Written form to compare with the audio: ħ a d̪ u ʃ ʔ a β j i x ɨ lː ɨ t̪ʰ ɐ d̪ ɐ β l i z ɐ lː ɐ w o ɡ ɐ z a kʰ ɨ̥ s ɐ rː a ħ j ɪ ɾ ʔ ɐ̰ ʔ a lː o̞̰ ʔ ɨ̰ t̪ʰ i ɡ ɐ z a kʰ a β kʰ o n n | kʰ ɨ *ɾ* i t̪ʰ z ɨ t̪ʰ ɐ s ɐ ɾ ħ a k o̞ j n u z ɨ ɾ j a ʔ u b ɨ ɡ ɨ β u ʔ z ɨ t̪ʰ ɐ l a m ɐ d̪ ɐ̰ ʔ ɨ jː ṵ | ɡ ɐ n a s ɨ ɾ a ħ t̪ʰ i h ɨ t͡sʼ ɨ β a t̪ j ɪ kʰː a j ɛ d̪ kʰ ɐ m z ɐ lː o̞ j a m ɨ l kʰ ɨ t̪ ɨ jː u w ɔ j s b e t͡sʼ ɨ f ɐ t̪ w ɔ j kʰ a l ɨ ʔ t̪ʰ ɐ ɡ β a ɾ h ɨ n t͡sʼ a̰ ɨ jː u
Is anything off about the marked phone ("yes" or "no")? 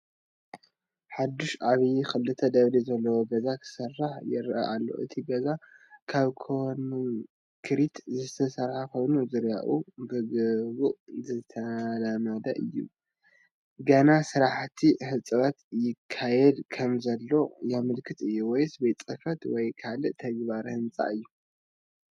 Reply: no